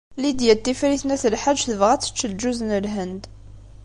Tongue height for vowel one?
high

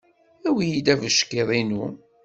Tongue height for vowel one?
low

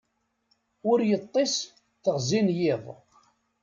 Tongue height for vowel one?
high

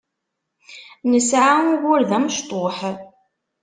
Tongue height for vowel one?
mid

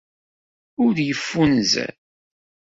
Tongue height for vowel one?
high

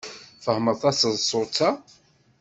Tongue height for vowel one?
mid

